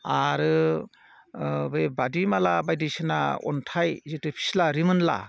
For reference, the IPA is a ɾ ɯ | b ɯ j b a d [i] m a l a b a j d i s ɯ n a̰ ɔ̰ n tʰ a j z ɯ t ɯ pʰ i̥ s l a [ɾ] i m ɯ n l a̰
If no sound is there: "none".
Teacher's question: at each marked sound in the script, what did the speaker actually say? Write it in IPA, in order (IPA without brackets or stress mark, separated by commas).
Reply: i, ɾ